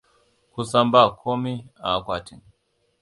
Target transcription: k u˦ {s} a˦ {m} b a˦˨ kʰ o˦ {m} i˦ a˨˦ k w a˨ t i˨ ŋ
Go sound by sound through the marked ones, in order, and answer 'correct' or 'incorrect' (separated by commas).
correct, correct, correct